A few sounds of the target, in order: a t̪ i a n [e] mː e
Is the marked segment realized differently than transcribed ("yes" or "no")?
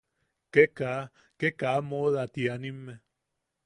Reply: yes